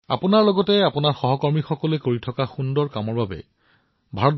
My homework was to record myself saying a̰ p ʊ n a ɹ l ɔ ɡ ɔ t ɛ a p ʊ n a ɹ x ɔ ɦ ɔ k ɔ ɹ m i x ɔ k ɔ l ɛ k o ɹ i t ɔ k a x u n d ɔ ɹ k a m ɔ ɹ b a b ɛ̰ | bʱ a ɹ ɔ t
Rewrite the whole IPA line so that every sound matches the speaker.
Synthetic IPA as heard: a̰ p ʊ n a ɹ l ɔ ɡ ɔ t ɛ a p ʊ n a ɹ x ɔ ɦ ɔ k ɔ ɹ m i x ɔ k ɔ l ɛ k o ɹ i tʰ ɔ k a x u n d ɔ ɹ k a m ɔ ɹ b a b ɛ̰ | bʱ a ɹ ɔ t